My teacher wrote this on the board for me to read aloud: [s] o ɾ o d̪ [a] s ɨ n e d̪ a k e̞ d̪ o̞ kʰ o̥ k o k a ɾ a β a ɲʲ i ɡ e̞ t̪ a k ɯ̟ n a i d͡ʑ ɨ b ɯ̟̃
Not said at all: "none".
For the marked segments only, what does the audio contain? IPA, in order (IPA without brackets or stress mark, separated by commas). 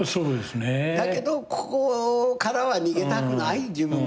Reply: s, e